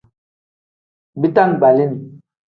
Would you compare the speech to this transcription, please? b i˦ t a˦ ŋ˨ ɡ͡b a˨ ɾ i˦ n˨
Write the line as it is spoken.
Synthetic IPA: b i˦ t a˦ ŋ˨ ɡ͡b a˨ l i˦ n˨